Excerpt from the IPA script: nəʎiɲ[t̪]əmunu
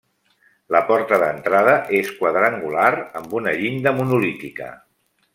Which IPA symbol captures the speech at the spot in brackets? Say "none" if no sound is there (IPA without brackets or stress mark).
d̪